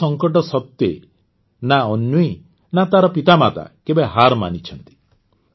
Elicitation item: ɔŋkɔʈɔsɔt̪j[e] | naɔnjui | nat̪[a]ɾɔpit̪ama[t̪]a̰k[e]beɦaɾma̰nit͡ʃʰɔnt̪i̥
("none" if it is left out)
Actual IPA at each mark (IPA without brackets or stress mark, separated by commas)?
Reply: e, a, t̪, e